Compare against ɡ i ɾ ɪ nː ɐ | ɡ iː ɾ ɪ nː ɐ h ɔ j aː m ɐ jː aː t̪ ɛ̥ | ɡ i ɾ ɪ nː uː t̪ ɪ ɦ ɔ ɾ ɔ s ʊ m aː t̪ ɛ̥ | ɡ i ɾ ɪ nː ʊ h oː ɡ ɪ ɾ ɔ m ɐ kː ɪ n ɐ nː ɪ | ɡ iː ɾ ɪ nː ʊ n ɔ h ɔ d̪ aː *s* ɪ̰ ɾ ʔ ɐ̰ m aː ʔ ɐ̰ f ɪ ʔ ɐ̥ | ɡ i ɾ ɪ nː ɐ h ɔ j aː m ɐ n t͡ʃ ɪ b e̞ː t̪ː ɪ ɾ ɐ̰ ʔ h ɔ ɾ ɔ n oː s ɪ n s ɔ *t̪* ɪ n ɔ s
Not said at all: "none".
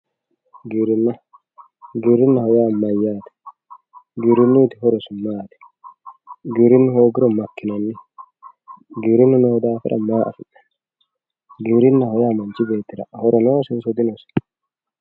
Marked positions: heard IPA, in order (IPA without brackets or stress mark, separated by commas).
f, d̪